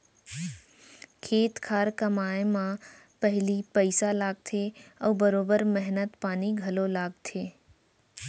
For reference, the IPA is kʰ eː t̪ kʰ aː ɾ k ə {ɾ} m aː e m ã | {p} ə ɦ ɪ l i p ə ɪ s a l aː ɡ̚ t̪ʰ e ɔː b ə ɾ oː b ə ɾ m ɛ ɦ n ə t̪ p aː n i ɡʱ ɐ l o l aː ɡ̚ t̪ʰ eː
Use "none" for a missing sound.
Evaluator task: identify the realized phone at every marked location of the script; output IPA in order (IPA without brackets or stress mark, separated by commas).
none, p